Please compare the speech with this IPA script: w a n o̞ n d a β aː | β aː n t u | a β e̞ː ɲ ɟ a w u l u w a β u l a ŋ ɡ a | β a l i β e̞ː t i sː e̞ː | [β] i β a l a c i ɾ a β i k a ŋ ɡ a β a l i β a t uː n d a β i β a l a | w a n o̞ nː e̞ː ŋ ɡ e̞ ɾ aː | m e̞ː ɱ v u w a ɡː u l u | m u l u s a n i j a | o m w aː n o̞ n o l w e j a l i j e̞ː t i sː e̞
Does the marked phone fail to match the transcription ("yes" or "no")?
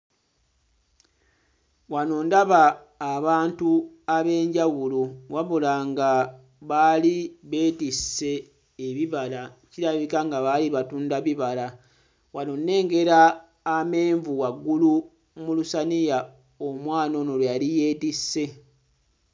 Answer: no